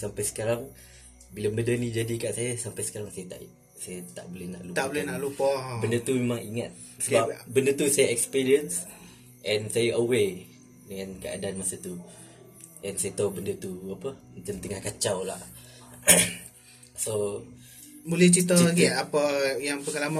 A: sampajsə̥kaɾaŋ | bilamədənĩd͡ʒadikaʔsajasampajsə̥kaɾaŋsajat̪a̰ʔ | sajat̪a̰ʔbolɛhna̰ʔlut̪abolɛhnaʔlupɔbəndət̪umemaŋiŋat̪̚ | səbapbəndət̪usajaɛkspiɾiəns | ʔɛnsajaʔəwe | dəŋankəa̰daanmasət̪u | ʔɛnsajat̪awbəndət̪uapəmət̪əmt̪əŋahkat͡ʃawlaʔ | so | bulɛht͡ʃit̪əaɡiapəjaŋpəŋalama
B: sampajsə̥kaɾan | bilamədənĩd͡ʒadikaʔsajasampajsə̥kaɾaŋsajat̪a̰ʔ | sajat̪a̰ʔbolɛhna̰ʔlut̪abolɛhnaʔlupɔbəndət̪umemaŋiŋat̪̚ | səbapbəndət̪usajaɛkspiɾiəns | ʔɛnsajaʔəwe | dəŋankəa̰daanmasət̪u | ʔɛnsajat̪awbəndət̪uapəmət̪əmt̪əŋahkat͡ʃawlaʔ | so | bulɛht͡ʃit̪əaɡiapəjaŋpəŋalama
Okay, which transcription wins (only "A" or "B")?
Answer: A